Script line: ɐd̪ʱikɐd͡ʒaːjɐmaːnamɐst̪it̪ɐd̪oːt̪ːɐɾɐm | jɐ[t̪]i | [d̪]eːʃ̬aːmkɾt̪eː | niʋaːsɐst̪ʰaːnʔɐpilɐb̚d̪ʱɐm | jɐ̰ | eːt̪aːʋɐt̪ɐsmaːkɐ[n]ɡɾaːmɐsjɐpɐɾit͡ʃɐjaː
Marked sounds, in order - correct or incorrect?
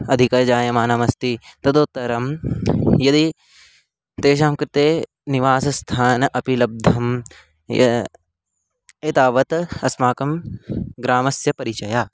incorrect, incorrect, incorrect

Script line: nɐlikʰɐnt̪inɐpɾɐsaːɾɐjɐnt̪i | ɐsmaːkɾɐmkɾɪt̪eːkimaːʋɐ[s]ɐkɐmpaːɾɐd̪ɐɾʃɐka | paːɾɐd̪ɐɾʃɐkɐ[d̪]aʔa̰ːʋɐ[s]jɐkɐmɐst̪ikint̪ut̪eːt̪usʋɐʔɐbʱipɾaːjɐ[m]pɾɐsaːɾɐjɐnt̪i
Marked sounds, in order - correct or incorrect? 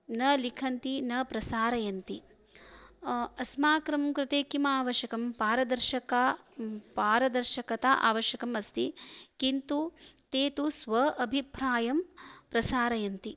incorrect, incorrect, incorrect, correct

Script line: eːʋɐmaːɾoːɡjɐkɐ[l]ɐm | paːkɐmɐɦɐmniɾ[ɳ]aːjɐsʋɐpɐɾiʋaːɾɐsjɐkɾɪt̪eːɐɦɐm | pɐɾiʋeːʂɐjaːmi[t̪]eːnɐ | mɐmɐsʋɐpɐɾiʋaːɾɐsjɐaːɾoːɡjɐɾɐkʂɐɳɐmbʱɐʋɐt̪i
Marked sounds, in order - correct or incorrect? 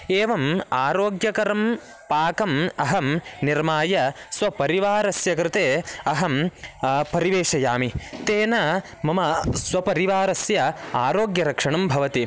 incorrect, incorrect, correct

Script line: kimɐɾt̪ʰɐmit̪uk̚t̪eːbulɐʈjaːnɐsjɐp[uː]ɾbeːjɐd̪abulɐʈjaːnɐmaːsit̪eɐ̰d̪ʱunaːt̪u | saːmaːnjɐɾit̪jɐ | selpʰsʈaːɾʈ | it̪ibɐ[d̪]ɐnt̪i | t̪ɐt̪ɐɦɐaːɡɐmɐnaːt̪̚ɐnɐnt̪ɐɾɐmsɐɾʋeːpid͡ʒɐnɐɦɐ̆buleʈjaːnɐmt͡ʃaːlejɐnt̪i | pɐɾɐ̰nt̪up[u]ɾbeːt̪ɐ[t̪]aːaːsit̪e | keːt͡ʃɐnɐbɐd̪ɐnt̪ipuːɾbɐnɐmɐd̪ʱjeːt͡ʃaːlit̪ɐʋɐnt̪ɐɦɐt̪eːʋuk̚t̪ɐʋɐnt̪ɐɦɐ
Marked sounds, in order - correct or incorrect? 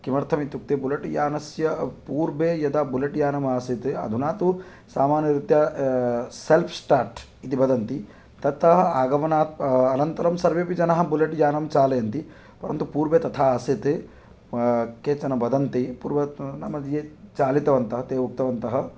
correct, correct, incorrect, incorrect

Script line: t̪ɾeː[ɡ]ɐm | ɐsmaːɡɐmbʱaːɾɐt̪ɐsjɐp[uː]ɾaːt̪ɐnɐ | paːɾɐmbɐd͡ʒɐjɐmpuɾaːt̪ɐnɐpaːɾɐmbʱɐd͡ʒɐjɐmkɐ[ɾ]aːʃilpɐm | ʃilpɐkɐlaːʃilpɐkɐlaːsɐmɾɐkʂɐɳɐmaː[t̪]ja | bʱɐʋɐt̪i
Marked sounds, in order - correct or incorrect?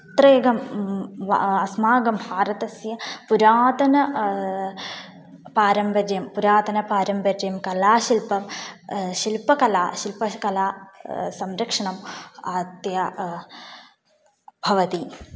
correct, incorrect, incorrect, correct

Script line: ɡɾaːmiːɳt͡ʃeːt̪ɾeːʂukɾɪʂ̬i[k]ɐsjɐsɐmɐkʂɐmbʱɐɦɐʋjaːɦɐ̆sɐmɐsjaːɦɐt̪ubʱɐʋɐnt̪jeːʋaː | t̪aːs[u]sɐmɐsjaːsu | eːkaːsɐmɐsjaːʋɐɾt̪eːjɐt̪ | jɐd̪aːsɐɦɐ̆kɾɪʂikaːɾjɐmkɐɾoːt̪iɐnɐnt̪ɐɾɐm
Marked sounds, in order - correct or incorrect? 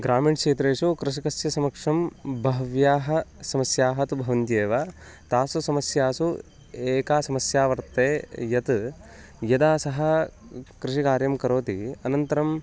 correct, correct

